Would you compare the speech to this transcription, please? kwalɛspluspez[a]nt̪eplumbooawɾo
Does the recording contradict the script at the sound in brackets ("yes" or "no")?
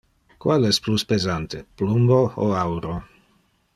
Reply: no